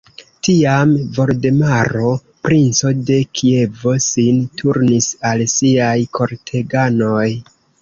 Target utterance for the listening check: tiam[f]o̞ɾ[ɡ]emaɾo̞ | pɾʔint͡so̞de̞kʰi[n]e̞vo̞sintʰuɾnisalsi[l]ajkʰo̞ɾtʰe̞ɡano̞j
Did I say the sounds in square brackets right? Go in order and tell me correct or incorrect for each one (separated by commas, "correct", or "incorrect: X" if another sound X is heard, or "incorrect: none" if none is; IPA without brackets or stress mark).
incorrect: v, incorrect: d, incorrect: none, incorrect: none